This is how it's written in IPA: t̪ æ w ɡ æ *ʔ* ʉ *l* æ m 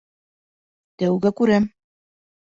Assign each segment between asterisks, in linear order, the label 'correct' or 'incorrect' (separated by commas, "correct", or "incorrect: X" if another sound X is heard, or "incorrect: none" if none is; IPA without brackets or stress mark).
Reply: incorrect: k, incorrect: ɾ